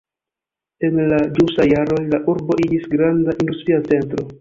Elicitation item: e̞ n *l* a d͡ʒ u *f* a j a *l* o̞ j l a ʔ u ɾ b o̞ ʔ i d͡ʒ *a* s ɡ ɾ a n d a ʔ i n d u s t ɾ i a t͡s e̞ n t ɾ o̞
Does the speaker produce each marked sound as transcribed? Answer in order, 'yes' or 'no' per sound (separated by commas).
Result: yes, no, no, no